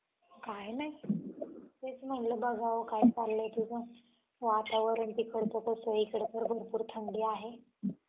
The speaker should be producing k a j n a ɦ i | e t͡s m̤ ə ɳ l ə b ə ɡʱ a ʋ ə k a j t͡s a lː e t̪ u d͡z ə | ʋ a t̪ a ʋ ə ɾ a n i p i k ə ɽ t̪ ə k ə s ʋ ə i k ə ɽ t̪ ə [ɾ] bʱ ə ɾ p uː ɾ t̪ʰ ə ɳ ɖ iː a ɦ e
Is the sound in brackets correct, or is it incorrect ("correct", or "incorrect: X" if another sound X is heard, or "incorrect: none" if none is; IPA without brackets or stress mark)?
correct